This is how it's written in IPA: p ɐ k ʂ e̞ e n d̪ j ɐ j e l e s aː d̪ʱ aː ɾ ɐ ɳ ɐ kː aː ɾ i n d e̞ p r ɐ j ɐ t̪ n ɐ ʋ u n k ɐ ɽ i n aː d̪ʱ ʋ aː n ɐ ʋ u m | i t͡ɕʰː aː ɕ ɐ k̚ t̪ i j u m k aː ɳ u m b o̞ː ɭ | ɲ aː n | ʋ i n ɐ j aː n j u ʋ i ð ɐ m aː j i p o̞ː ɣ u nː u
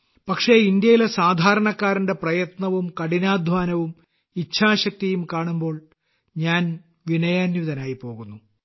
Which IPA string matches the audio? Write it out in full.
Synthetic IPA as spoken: p ɐ k ʂ e̞ i n d̪ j ɐ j i l e s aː d̪ʱ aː ɾ ɐ ɳ ɐ kː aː ɾ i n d e̞ p r ɐ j ɐ t̪ n ɐ ʋ u m k ɐ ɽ i n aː d̪ʱ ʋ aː n ɐ ʋ u m | i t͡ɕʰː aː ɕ ɐ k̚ t̪ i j u m k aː ɳ u m b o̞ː ɭ | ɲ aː n | ʋ i n ɐ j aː n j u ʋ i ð ɐ n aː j i p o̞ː ɣ u nː u